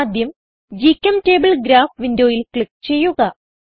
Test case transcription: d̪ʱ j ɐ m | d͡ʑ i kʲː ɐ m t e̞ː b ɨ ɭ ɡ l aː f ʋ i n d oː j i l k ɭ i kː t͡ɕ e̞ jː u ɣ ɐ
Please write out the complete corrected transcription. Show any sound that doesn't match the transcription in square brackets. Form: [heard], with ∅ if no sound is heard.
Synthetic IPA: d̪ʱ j ɐ m | d͡ʑ i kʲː ɐ m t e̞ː b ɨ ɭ ɡ [ɾ] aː f ʋ i n d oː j i l k ɭ i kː t͡ɕ e̞ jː u ɣ ɐ